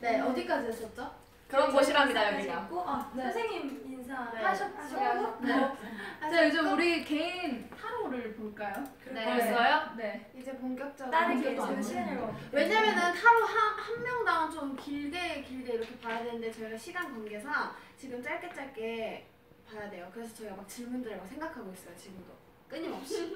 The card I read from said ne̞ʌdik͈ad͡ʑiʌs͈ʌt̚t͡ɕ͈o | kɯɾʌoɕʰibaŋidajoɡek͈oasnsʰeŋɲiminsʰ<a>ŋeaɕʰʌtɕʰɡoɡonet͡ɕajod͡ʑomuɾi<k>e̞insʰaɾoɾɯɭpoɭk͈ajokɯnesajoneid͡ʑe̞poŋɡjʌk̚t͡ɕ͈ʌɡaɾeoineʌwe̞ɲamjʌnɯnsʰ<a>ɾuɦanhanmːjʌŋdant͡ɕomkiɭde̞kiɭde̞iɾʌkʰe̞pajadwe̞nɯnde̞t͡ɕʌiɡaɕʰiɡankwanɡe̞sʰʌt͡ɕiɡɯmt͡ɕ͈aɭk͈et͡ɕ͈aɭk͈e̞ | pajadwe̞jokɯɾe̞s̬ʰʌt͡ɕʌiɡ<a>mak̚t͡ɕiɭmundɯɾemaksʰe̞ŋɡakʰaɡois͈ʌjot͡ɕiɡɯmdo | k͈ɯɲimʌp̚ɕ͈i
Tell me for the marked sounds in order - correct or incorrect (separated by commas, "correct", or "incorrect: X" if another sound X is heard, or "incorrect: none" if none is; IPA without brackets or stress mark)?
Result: correct, correct, correct, correct